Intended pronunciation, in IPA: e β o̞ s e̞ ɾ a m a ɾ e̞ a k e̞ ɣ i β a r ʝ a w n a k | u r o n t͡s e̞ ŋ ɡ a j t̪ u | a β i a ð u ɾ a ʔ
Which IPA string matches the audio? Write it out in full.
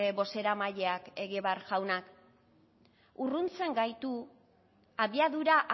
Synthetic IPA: e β o̞ s e̞ ɾ a m a ʎ e̞ a k e̞ ɣ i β a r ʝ a w n a k | u r u n t͡s e̞ ŋ ɡ a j t̪ u | a β i a ð u ɾ a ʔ